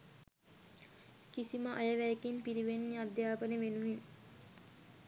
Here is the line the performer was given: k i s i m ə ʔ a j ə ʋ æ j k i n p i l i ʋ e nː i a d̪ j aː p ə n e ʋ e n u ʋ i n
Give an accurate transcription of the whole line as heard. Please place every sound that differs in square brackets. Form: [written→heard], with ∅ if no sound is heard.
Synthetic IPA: k i s i m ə ʔ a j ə ʋ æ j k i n p i [l→ɾ] i ʋ e nː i a d̪ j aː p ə n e ʋ e n u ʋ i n